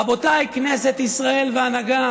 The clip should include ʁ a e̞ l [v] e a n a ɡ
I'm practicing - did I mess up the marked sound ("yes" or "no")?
no